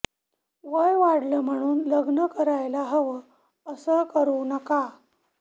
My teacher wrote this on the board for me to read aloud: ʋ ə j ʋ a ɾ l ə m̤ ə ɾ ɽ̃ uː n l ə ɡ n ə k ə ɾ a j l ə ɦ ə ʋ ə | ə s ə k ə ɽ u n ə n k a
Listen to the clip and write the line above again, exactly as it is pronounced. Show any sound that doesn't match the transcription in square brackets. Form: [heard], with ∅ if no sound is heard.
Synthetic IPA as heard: ʋ ə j ʋ a [ɽ] l ə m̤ ə [∅] ɽ̃ uː n l ə ɡ n ə k ə ɾ a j l [a] ɦ ə ʋ ə | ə s ə k ə [ɾ] u n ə [∅] k a